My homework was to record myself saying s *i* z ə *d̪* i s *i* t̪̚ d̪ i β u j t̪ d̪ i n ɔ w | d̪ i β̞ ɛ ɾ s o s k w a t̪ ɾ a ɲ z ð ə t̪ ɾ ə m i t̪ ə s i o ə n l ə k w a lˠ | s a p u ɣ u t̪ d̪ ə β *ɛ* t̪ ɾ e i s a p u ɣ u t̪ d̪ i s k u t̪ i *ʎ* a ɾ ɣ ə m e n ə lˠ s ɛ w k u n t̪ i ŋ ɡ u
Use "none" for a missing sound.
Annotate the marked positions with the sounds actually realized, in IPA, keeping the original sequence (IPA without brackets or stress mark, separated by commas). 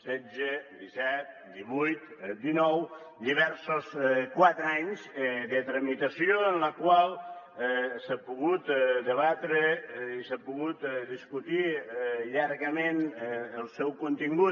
ɛ, d̪, ɛ, a, ʎ